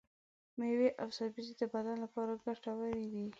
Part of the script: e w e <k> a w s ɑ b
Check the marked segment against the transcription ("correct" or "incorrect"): incorrect